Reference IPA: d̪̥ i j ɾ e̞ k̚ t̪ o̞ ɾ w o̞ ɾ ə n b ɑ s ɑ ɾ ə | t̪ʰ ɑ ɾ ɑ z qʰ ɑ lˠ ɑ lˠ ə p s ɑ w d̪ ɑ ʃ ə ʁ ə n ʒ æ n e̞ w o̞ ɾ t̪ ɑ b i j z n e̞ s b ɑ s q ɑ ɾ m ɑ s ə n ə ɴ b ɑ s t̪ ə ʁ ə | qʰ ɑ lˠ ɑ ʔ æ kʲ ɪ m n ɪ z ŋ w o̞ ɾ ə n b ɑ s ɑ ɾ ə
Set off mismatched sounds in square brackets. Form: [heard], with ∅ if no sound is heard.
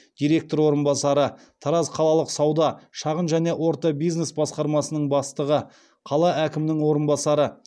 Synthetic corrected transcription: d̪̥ i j ɾ e̞ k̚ t̪ o̞ ɾ w o̞ ɾ ə n b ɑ s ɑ ɾ ə | t̪ʰ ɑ ɾ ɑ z qʰ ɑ lˠ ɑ lˠ ə [q] s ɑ w d̪ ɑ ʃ [ɑ] ʁ ə n ʒ æ n e̞ w o̞ ɾ t̪ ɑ b i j z n e̞ s b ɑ s q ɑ ɾ m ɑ s ə n ə ɴ b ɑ s t̪ ə ʁ ə | qʰ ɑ lˠ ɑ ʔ æ kʲ ɪ m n ɪ [∅] ŋ w o̞ ɾ ə n b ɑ s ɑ ɾ ə